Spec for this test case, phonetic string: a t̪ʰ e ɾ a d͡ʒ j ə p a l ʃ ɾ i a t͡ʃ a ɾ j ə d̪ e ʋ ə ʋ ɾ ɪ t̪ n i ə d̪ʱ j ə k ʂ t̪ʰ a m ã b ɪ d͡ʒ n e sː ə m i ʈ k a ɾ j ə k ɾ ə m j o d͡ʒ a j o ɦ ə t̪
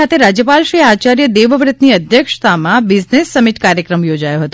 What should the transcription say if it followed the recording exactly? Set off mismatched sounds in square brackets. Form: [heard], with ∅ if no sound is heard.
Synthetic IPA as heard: a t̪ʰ e ɾ a d͡ʒ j ə p a l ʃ ɾ i a t͡ʃ a ɾ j ə d̪ e ʋ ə ʋ ɾ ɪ t̪ n i ə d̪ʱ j ə k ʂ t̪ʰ a m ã b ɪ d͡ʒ n e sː ə m i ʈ k a ɾ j ə k ɾ ə m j o d͡ʒ a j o ɦ ə t̪